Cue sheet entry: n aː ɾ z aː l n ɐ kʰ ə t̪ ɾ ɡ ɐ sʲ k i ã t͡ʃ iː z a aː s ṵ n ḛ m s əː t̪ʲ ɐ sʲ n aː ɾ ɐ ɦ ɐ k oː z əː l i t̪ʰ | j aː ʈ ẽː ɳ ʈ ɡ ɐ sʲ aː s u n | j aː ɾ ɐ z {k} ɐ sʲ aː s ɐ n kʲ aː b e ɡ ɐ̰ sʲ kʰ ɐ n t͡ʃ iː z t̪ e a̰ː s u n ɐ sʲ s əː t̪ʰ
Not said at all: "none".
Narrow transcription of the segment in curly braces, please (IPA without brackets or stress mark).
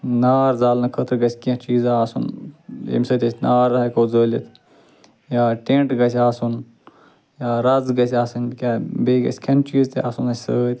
ɡ